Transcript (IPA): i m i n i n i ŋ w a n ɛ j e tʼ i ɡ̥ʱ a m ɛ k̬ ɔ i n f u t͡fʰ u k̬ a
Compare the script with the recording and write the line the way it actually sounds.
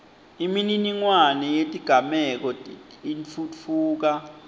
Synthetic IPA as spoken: i m i n i n i ŋ w a n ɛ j e tʼ i ɡ̥ʱ a m ɛ k̬ ɔ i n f u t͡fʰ uː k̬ a